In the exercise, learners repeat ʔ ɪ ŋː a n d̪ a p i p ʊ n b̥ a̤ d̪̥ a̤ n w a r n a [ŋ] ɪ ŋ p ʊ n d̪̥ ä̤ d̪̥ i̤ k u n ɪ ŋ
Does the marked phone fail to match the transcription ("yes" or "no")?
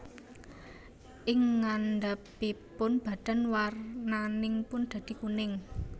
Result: yes